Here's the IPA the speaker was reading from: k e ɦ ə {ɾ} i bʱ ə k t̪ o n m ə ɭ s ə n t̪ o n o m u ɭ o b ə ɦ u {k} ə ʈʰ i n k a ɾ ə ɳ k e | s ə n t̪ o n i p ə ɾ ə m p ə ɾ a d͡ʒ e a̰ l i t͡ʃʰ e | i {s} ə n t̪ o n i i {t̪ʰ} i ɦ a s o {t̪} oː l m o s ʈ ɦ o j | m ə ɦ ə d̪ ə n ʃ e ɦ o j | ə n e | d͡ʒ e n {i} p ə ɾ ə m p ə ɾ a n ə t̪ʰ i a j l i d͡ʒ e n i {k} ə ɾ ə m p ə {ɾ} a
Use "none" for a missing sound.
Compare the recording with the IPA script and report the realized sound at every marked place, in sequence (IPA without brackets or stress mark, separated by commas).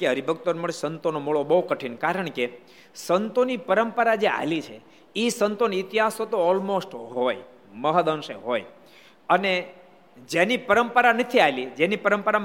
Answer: ɾ, k, s, t̪, t̪, i, p, ɾ